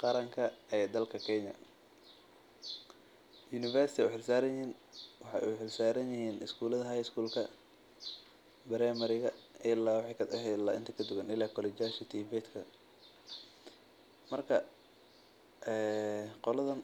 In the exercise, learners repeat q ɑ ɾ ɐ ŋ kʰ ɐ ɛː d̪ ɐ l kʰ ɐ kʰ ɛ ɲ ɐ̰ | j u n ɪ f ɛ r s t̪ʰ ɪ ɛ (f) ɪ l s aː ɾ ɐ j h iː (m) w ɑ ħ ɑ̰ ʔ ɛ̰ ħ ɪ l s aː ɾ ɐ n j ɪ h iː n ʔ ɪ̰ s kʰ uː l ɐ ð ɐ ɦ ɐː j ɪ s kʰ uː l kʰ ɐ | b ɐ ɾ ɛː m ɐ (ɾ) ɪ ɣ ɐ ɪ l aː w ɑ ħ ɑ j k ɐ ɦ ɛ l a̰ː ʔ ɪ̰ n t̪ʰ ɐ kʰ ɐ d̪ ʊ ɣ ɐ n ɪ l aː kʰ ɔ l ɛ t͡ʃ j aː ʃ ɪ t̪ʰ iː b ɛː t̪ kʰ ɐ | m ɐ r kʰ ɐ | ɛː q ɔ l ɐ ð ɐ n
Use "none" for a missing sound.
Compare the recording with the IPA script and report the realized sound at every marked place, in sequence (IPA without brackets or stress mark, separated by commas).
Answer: ħ, n, ɾ